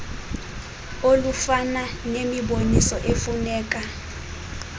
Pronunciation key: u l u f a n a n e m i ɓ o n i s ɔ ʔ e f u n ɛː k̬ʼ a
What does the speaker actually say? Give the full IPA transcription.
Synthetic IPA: o l u f a n a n e m i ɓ o n i s ɔ ʔ e f u n ɛː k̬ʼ a

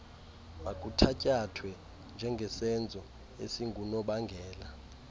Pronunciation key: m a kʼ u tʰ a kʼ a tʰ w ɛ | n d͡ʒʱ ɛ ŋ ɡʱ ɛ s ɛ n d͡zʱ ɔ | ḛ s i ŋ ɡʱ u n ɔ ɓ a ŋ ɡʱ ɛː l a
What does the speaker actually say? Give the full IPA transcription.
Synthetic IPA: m a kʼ u tʰ a cʼ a tʰ w ɛ | n d͡ʒʱ ɛ ŋ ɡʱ ɛ s ɛ n d͡zʱ ɔ | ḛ s i ŋ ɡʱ u n ɔ ɓ a ŋ ɡʱ ɛː l a

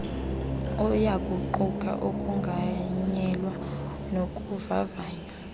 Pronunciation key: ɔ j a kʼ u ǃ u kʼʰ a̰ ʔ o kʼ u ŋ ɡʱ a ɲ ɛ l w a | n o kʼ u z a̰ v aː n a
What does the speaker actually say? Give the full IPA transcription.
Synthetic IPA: ɔ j a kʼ u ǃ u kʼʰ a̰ ʔ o kʼ u ŋ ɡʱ a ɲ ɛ l w a | n o kʼ u v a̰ v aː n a

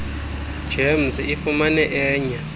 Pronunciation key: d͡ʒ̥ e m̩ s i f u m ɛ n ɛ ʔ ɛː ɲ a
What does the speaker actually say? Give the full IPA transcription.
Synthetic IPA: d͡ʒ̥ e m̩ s i f u m a n ɛ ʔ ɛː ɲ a

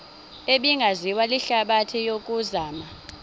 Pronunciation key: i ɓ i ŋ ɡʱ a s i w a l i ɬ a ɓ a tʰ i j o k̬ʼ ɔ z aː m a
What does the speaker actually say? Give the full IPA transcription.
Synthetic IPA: e ɓ i ŋ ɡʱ a z i w a l i ɬ a ɓ a tʰ i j o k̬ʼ u z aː m a

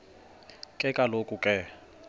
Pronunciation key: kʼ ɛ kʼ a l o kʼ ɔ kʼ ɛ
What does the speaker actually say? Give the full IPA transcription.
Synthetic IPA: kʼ ɛ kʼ a l o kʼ u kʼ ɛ

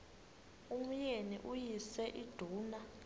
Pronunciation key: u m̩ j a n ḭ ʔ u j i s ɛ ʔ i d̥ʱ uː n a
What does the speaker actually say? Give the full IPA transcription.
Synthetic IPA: u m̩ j e n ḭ ʔ u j i s ɛ ʔ i d̥ʱ uː n a

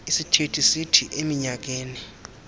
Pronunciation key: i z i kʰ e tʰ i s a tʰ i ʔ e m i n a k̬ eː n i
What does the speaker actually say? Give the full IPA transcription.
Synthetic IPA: i s i tʰ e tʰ i s i tʰ i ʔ e m i ɲ a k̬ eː n i

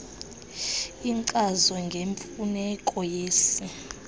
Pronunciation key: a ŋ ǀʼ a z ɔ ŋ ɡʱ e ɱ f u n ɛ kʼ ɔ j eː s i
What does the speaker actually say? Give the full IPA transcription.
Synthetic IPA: i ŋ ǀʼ a z ɔ ŋ ɡʱ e ɱ f u n ɛ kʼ ɔ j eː s i

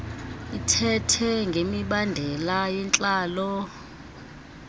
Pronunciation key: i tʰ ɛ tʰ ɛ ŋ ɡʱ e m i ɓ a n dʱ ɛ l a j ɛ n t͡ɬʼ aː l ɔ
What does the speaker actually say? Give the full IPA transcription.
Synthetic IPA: i tʰ ɛ tʰ ɛ ŋ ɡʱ e m i ɓ a n dʱ ɛ l a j ɛ n t͡ɬʼ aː l ɔ

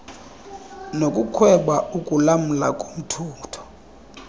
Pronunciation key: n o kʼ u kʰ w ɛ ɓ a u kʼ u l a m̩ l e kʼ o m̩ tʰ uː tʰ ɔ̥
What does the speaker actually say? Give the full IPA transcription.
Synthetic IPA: n o kʼ u kʰ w ɛ ɓ a u kʼ u l a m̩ l a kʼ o m̩ tʰ uː tʰ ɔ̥

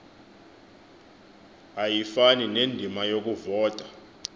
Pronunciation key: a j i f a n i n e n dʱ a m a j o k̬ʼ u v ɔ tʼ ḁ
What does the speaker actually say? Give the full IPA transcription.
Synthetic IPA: a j i f a n i n e n dʱ i m a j o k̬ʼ u v ɔː tʼ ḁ

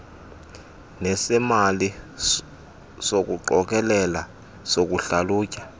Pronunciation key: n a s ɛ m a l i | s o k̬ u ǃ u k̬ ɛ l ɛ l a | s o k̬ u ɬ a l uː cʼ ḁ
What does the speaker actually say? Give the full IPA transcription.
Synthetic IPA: n ɛ s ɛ m a l i | s o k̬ u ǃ ɔ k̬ ɛ l ɛ l a | s o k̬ u ɬ a l uː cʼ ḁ

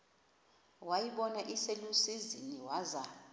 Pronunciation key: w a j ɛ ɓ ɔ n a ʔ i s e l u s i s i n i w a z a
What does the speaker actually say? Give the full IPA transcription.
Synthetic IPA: w a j i ɓ ɔ n a ʔ i s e l u s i z i n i w a z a

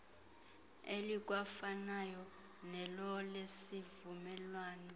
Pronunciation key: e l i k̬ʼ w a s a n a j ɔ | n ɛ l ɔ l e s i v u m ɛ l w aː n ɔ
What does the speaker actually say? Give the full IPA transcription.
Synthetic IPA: e l i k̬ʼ w a f a n a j ɔ | n ɛ l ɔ l e s i v u m ɛ l w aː n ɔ

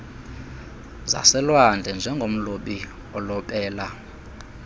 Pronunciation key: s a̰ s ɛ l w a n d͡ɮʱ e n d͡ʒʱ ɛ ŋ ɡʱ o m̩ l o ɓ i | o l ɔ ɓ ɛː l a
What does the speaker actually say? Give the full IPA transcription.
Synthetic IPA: z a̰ s ɛ l w a n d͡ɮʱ ɛ n d͡ʒʱ ɛ ŋ ɡʱ o m̩ l o ɓ i | ɔ l ɔ ɓ ɛː l a

